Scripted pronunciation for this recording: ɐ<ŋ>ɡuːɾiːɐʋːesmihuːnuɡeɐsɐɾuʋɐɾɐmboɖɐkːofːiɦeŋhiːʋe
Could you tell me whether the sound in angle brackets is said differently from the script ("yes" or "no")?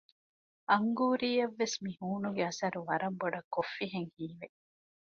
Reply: no